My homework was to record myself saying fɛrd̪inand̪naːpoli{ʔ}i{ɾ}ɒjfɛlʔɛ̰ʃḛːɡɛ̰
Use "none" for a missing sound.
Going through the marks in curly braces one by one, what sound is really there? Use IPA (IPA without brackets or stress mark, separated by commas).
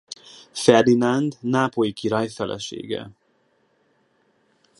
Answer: k, ɾ